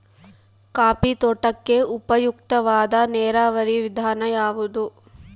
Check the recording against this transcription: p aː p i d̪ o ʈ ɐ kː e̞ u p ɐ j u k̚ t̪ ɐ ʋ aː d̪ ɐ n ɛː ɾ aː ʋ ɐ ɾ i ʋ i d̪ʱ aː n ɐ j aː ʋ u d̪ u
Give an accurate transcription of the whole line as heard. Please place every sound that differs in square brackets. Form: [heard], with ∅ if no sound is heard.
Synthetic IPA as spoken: [k] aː p i [t̪] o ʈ ɐ kː e̞ u p ɐ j u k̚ t̪ ɐ ʋ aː d̪ ɐ n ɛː ɾ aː ʋ ɐ ɾ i ʋ i d̪ʱ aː n ɐ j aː ʋ u d̪ u